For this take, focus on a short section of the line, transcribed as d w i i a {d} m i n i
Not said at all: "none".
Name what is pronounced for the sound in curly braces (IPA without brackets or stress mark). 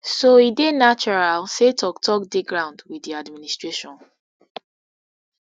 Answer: d